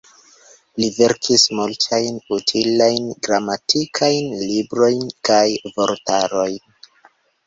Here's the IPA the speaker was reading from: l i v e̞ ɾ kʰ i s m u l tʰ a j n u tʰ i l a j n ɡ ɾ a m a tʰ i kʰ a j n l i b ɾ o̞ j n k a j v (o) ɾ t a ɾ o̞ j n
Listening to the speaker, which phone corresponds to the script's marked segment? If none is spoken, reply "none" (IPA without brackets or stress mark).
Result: o